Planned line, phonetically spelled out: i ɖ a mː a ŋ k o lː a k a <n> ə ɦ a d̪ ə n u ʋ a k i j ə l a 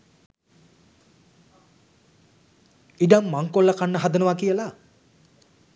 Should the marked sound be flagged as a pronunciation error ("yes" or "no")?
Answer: yes